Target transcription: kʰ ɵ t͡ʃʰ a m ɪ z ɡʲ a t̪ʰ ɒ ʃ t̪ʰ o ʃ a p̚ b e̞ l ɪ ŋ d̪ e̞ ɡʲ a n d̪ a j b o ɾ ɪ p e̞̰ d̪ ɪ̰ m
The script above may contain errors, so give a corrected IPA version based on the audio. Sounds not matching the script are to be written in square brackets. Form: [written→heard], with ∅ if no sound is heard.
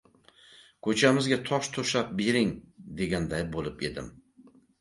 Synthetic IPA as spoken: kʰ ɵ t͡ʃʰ a m ɪ z ɡʲ a t̪ʰ ɒ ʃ t̪ʰ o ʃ a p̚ b e̞ [l→ɾ] ɪ ŋ d̪ e̞ ɡʲ a n d̪ a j b o [ɾ→l] ɪ p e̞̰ d̪ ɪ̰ m